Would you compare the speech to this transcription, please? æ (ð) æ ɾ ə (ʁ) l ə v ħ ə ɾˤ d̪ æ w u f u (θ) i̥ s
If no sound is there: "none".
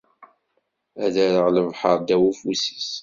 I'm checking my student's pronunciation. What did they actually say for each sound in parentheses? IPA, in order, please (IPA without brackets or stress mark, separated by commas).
ð, ʁ, s